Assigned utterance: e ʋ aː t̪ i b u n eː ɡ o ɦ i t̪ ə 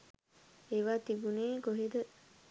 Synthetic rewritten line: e ʋ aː t̪ i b u n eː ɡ o ɦ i d̪ ə